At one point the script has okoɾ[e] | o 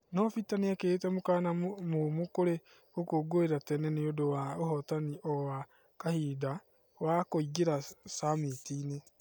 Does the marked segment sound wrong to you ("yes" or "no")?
no